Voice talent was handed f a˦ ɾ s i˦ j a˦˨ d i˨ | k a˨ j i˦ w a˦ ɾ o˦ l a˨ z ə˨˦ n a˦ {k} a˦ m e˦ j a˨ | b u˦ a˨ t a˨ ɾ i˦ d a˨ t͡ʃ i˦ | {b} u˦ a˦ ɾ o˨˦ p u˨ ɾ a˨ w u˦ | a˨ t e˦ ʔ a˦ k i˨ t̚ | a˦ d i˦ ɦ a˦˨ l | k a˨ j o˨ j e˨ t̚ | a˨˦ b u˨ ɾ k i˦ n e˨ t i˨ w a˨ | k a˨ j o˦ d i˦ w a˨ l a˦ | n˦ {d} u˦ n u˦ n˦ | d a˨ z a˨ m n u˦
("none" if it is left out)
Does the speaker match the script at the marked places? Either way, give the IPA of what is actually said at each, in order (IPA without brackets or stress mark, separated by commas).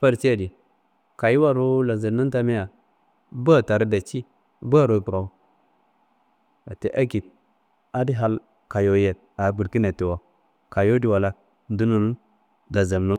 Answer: t, b, d